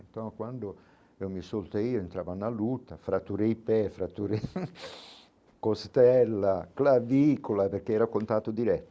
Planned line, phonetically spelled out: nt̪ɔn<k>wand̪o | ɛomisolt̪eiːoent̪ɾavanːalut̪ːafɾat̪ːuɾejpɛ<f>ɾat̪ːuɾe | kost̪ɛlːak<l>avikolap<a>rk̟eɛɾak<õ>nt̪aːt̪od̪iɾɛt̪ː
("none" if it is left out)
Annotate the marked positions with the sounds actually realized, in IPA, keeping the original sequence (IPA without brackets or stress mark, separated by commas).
k, f, l, e, o